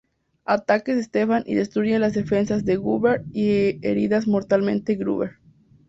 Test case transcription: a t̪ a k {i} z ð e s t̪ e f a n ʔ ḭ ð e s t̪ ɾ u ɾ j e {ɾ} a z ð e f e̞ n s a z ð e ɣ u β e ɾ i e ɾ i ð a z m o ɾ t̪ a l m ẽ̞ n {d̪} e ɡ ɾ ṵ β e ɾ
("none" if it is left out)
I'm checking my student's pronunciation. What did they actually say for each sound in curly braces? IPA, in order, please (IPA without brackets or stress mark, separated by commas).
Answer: e, l, t̪